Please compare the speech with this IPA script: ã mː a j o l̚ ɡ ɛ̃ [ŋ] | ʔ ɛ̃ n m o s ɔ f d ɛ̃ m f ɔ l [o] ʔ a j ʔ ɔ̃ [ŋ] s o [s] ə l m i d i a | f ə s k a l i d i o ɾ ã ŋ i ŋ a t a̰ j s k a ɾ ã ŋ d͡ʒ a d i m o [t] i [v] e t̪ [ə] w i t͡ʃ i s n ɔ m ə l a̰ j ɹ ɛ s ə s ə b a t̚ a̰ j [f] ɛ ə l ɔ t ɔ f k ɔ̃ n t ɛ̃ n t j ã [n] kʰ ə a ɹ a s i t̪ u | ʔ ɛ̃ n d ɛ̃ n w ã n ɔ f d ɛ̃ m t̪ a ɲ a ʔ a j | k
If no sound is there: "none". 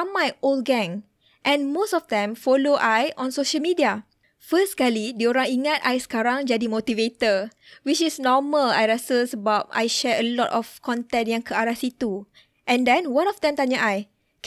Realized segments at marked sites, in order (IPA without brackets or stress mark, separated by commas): ŋ, o, n, ʃ, t, v, ə, ʃ, ŋ